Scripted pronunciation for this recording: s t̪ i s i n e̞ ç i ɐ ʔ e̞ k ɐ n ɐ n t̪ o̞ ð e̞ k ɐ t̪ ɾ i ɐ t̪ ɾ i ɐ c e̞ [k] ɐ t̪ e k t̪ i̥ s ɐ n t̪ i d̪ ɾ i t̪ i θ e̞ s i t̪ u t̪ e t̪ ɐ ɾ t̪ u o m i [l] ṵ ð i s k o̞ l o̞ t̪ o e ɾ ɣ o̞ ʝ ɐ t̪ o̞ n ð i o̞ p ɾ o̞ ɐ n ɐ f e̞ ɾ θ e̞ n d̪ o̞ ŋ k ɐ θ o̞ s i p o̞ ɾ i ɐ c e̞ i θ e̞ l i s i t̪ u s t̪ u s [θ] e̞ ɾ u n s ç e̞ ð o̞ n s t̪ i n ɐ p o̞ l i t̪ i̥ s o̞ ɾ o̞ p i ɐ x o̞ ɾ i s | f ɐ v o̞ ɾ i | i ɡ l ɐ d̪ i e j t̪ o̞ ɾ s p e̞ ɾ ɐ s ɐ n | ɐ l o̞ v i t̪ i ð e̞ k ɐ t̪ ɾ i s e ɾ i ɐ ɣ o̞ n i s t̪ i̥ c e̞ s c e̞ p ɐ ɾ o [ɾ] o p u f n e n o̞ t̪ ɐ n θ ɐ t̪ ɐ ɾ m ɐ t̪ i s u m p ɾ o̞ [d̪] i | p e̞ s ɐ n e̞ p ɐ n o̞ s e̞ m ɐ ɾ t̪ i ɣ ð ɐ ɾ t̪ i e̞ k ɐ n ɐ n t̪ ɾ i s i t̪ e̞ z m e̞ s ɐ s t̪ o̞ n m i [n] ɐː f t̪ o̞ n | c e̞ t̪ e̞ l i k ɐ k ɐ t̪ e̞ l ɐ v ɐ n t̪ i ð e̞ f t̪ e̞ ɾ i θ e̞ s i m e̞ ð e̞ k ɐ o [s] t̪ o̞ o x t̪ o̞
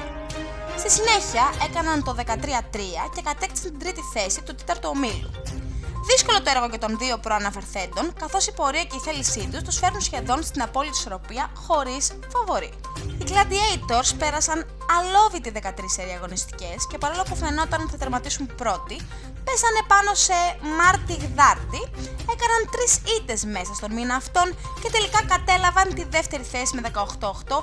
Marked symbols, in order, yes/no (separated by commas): yes, yes, no, no, no, yes, no